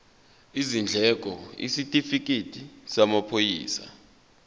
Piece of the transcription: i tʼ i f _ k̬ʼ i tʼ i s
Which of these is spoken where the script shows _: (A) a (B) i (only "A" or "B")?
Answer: B